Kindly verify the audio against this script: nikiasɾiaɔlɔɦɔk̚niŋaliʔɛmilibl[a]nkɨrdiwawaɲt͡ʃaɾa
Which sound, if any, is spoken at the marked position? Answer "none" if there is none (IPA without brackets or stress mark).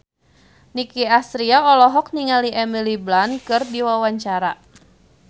a